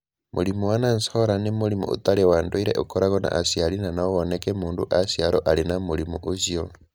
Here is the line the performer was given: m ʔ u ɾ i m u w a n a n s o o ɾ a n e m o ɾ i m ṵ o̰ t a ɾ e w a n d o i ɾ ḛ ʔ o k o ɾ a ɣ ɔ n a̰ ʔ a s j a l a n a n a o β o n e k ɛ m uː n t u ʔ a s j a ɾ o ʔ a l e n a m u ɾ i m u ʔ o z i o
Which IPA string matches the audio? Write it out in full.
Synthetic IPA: m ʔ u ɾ i m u w a n a n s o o ɾ a n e m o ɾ i m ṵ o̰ t a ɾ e w a n d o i ɾ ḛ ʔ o k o ɾ a ɣ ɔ n a̰ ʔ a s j a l i n a n a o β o n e k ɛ m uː n d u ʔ a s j a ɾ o ʔ a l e n a m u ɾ i m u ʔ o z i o